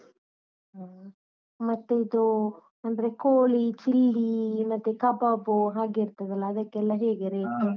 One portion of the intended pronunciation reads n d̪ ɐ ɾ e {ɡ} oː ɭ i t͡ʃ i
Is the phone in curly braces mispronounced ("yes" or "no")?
yes